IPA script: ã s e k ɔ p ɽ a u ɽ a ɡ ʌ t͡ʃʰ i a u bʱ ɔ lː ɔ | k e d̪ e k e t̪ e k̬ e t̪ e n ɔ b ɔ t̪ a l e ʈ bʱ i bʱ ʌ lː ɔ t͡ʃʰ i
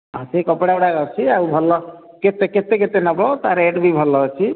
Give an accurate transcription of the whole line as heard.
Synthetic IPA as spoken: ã s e k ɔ p ɽ a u ɽ a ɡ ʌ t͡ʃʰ i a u bʱ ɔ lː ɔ | k e t̪ e k e t̪ e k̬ e t̪ e n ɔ b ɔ t̪ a ɾ e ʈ bʱ i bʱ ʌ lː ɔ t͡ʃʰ i